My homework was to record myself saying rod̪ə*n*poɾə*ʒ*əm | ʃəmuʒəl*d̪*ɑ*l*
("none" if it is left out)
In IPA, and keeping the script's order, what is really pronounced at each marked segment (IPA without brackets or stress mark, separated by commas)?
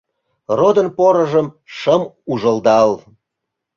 n, ʒ, d̪, l